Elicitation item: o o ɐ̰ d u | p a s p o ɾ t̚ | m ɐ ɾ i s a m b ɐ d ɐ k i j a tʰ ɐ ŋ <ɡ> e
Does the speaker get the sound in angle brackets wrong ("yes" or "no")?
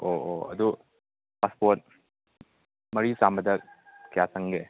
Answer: no